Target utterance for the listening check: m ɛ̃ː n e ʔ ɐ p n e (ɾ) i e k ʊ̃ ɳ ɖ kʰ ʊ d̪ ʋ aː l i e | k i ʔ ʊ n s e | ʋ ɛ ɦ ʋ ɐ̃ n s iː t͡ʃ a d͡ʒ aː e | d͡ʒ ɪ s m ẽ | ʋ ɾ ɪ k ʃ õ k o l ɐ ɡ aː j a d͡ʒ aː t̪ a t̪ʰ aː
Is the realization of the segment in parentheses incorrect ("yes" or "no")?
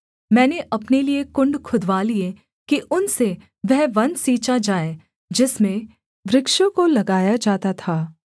yes